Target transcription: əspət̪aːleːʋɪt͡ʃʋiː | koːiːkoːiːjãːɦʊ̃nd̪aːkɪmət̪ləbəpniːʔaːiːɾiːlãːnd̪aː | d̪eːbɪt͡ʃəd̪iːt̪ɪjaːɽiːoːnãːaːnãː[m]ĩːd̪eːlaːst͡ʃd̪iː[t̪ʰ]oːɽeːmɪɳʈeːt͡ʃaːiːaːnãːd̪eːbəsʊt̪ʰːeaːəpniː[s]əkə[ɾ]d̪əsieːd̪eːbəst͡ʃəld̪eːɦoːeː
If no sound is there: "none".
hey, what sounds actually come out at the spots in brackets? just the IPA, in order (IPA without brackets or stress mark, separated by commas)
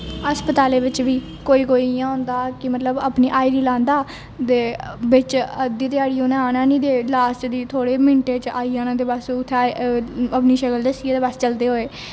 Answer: n, t̪ʰ, ʃ, l